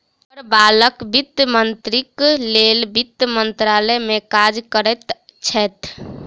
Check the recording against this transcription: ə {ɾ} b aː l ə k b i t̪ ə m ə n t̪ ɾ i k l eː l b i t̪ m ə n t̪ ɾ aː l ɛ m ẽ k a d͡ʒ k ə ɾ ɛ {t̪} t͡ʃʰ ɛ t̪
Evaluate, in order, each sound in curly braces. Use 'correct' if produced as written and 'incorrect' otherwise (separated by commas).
correct, correct